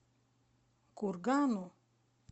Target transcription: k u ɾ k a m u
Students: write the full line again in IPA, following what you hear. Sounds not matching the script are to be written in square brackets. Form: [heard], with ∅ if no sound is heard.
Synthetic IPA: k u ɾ [ɡ] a [n] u

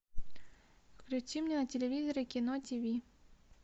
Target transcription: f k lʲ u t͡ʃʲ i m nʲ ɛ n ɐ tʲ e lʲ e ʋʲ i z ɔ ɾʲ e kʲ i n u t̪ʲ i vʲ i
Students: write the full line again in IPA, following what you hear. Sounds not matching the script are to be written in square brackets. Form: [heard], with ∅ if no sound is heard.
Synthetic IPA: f k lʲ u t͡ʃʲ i m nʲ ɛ n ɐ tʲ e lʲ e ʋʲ i z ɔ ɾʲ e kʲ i n [ɔ] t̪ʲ i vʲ i

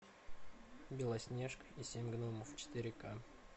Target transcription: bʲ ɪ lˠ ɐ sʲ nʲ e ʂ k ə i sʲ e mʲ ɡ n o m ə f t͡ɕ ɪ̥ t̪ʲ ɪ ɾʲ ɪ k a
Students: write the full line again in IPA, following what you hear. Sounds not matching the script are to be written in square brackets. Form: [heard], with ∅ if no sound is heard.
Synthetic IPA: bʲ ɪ lˠ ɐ sʲ nʲ e ʂ k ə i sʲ e mʲ ɡ n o m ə f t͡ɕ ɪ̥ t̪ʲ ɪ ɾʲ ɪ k a

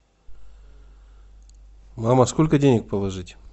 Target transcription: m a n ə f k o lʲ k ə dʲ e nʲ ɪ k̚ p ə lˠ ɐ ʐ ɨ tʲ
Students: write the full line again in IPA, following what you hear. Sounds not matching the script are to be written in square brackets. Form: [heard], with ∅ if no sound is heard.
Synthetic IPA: m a [m] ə [s] k o lʲ k ə dʲ e nʲ ɪ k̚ p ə lˠ ɐ ʐ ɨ tʲ

